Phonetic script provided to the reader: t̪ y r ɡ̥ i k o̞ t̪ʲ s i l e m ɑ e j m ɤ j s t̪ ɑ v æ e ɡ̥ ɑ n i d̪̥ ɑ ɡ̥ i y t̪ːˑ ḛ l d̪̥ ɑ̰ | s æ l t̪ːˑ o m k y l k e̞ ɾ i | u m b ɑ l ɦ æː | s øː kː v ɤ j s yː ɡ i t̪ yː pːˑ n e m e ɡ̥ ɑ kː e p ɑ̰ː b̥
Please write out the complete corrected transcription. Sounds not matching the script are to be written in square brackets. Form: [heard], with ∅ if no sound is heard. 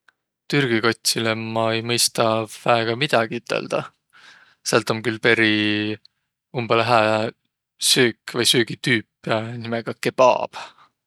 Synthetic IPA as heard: t̪ y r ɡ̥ i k o̞ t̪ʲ s i l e m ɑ e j m ɤ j s t̪ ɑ v æ e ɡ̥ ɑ [m] i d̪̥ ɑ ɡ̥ i y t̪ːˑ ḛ l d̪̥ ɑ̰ | s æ l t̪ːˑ o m k y l [p] e̞ ɾ i | u m b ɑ l ɦ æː | s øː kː v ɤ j s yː ɡ i t̪ yː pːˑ n [i] m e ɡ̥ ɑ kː e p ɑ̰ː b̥

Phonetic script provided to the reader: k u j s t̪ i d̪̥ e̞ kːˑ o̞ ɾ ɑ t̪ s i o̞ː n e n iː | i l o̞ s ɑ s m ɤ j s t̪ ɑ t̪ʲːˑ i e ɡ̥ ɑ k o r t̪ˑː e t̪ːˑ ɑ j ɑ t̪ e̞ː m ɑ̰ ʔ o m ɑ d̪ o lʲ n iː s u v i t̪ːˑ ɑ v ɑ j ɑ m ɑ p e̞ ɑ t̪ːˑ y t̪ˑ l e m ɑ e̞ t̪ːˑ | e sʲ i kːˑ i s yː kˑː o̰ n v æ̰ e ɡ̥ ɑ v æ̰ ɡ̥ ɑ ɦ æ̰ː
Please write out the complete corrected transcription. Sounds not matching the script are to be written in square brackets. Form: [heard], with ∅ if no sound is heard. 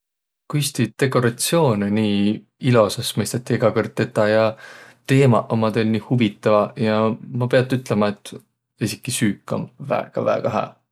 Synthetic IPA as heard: k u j s t̪ i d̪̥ e̞ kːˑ o̞ ɾ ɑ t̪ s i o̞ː n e n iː | i l o̞ s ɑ s m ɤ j s t̪ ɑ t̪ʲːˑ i e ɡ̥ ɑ k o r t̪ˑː e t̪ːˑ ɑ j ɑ t̪ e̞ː m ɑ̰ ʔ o m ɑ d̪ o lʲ n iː [h] u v i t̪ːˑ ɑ v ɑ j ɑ m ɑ p e̞ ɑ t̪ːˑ y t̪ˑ l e m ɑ e̞ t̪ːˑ | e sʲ i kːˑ i s yː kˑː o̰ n v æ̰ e ɡ̥ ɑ v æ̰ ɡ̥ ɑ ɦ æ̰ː

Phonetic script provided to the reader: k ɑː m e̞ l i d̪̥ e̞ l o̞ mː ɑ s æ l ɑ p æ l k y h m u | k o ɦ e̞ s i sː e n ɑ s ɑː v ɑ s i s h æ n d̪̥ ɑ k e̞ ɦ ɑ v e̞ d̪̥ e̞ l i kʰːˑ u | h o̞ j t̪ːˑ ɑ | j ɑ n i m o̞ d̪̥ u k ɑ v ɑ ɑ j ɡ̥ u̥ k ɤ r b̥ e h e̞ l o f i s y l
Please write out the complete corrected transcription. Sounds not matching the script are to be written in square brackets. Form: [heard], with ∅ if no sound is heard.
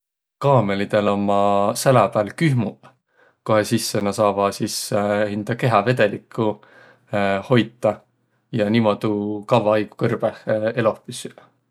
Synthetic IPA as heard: k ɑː m e̞ l i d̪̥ e̞ l o̞ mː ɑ s æ l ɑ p æ l k y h m u | k o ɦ e̞ s i sː e n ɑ s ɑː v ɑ s i s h [i] n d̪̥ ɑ k e̞ ɦ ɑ v e̞ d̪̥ e̞ l i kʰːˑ u | h o̞ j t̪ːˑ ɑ | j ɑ n i m o̞ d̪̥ u k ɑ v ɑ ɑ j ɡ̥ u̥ k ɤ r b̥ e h e̞ l o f i s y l

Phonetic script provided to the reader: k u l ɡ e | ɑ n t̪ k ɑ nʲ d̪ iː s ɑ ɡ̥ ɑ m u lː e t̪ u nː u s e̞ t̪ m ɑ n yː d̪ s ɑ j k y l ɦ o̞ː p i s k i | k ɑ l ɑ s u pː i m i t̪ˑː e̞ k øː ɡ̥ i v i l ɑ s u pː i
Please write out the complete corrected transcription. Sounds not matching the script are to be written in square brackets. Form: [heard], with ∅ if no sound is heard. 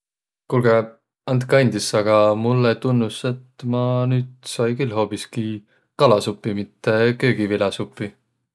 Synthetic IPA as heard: k u l ɡ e | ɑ n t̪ k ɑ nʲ d̪ [i] s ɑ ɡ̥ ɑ m u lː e t̪ u nː u s e̞ t̪ m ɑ n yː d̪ s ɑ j k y l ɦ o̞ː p i s k i | k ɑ l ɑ s u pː i m i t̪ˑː e̞ k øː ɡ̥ i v i l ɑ s u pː i

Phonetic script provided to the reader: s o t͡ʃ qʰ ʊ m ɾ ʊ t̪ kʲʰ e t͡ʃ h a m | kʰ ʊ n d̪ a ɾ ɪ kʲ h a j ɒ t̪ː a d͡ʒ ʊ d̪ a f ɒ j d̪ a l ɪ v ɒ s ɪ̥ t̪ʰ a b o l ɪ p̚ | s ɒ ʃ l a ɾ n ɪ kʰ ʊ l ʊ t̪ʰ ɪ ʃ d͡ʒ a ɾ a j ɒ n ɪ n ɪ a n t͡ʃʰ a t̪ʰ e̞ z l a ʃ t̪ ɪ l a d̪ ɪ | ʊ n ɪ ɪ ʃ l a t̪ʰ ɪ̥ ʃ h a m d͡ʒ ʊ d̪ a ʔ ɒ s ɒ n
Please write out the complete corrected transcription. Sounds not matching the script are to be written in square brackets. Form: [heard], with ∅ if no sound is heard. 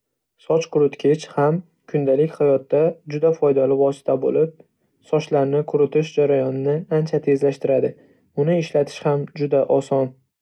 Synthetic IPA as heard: s [ɒ] t͡ʃ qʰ ʊ [∅] ɾ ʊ t̪ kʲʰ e t͡ʃ h a m | kʰ ʊ n d̪ a [l] ɪ kʲ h a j ɒ t̪ː a d͡ʒ ʊ d̪ a f ɒ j d̪ a l ɪ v ɒ s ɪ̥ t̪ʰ a b o l ɪ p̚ | s ɒ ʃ l a ɾ n ɪ kʰ ʊ [ɾ] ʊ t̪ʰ ɪ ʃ d͡ʒ a ɾ a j ɒ n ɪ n ɪ a n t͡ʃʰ a t̪ʰ e̞ z l a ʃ t̪ ɪ [ɾ] a d̪ ɪ | ʊ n ɪ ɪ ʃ l a t̪ʰ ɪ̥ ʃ h a m d͡ʒ ʊ d̪ a ʔ ɒ s ɒ n

